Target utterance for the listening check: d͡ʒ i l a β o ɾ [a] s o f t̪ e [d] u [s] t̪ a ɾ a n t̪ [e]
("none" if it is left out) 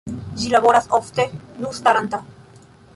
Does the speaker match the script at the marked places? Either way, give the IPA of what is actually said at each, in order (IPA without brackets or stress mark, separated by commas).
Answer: a, n, s, a